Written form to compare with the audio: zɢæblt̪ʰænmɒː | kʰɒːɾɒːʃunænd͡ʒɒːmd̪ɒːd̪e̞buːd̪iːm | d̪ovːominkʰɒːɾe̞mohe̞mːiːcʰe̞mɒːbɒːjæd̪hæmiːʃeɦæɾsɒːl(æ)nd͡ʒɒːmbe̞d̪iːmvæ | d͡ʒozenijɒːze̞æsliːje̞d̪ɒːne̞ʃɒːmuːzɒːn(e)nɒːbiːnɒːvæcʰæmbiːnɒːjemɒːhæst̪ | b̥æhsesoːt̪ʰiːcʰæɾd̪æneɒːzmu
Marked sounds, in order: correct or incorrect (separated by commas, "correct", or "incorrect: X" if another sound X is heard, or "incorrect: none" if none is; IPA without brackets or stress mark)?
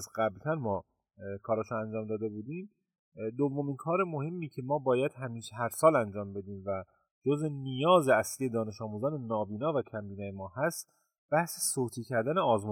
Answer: correct, correct